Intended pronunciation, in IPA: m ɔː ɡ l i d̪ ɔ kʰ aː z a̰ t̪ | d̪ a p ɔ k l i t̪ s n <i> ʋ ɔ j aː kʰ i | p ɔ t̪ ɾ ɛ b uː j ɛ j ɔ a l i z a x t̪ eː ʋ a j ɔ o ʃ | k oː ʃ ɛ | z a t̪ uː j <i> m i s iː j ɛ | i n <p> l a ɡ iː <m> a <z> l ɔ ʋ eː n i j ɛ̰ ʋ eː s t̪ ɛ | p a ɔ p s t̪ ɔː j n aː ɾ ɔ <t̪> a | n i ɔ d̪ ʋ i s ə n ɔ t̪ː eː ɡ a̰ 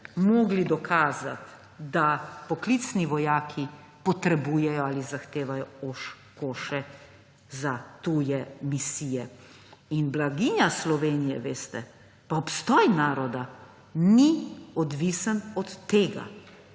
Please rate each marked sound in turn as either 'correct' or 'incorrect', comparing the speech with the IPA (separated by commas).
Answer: correct, incorrect, incorrect, incorrect, incorrect, incorrect